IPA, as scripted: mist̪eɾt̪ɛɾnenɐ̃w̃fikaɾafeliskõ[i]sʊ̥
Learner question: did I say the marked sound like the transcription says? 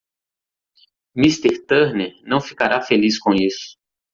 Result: yes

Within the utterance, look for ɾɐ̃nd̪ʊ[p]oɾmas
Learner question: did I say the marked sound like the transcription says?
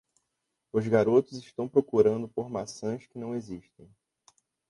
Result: yes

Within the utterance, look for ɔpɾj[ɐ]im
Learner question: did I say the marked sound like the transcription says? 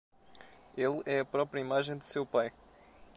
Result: yes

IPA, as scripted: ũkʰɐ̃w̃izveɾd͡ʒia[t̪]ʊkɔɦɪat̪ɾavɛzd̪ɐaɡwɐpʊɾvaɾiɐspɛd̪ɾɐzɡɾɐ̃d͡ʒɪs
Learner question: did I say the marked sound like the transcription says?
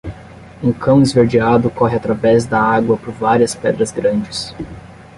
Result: no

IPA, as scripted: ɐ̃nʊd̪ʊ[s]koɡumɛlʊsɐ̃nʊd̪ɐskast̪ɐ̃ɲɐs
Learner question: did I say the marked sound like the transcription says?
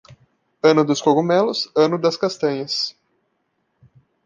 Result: yes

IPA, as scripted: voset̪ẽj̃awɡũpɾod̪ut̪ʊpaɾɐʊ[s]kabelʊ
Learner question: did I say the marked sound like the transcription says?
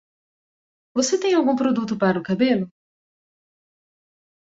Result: no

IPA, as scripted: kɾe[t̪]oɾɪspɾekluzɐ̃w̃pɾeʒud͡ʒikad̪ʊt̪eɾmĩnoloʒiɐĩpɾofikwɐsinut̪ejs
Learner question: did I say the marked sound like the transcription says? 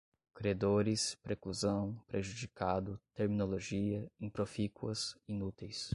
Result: no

